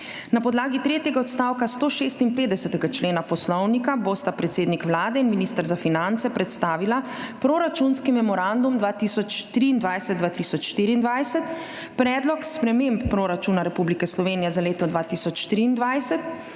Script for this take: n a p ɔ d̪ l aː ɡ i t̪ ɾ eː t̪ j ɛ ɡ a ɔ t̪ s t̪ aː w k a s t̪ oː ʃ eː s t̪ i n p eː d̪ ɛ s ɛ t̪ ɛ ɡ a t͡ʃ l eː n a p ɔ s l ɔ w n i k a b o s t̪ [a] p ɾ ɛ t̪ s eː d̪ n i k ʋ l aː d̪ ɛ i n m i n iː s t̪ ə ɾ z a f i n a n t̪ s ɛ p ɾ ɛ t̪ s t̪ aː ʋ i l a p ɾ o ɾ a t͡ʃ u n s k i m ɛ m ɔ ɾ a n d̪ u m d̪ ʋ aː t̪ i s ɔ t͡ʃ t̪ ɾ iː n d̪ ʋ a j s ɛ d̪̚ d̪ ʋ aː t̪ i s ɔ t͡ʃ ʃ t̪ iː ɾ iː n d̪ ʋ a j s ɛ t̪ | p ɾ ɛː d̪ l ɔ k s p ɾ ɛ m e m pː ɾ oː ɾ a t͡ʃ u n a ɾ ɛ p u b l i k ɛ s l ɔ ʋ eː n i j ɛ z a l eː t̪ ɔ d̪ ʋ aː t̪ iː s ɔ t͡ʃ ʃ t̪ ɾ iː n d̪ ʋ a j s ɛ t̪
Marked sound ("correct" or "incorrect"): correct